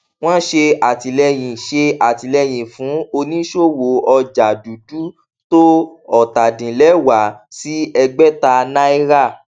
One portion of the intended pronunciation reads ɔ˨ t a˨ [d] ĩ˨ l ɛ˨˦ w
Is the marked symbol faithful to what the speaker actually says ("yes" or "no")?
yes